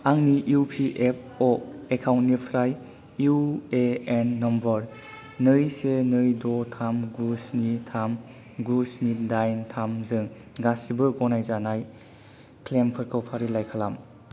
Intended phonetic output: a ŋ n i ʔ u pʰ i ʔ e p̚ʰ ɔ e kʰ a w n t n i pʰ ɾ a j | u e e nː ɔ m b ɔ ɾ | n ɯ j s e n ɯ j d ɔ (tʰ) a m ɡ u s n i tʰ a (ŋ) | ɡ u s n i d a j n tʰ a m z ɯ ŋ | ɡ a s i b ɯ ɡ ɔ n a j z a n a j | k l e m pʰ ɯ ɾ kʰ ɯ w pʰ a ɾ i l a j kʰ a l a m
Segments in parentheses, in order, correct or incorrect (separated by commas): correct, incorrect